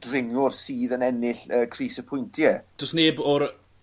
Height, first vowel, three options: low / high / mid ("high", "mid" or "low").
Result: high